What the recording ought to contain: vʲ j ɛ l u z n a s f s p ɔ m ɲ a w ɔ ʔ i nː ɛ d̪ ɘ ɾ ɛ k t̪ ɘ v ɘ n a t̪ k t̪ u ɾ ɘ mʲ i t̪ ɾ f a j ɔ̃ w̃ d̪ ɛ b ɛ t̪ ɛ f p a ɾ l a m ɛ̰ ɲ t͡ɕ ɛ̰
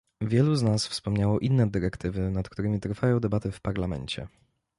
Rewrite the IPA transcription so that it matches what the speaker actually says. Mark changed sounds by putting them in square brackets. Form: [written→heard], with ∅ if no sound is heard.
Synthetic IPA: vʲ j ɛ l u z n a s f s p ɔ m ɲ a w ɔ ʔ i nː ɛ d̪ ɘ ɾ ɛ k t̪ ɘ v ɘ n a t̪ k t̪ u ɾ ɘ mʲ i t̪ ɾ f a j ɔ̃ w̃ d̪ ɛ b [ɛ→a] t̪ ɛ f p a ɾ l a m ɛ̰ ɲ t͡ɕ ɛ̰